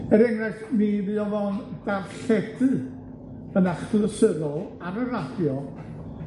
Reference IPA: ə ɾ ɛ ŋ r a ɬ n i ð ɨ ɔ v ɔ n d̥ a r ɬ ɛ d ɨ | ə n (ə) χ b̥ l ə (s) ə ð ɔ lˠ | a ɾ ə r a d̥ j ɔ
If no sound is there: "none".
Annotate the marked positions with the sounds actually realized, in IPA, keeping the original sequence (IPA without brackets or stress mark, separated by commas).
a, s